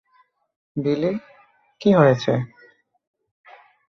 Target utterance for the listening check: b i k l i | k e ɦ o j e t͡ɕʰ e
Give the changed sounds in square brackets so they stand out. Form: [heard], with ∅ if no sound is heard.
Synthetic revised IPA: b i [∅] l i | k [i] ɦ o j e t͡ɕʰ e